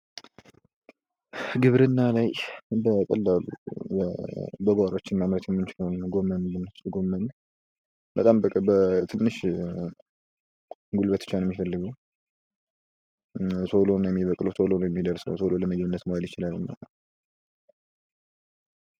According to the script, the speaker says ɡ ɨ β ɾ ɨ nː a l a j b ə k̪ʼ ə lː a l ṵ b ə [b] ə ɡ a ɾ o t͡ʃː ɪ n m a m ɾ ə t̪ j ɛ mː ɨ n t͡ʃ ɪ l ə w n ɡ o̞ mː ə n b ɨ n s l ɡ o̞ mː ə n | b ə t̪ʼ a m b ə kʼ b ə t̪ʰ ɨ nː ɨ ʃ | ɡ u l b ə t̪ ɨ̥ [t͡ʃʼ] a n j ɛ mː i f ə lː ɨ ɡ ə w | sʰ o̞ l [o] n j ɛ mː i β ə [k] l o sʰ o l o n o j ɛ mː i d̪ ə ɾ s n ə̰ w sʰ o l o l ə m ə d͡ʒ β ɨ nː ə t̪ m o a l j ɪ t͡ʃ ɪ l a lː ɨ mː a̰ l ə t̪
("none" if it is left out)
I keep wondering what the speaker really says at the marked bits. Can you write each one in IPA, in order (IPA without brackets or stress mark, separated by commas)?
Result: b, t͡ʃ, o, kʼ